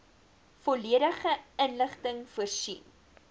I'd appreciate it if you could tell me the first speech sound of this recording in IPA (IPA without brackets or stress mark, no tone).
f